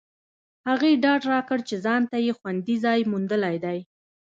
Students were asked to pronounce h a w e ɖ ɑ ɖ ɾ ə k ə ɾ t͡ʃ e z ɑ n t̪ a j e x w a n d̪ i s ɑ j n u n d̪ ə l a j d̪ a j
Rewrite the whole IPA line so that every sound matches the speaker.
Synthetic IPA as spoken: h a ɣ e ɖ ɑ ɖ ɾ ɑ k ə ɽ t͡ʃ e z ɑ n t̪ a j e x w a n d̪ i z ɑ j m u n d̪ ə l a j d̪ a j